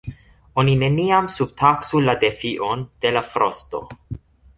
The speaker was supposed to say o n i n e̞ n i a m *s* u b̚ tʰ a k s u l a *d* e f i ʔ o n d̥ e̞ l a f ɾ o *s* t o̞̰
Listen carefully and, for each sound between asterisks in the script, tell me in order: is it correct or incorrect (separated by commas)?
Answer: correct, correct, correct